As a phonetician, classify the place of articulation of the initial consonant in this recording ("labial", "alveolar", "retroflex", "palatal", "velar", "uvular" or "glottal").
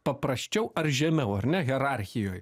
labial